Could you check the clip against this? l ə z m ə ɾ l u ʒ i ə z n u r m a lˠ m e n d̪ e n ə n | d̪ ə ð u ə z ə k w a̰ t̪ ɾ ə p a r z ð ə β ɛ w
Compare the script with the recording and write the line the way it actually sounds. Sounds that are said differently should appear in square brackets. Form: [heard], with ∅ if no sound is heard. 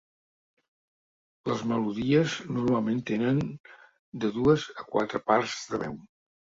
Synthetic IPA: l ə z m ə [∅] l u [ð] i ə z n u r m a lˠ m e n [t̪] e n ə n | d̪ ə ð u ə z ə k w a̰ t̪ ɾ ə p a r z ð ə β ɛ w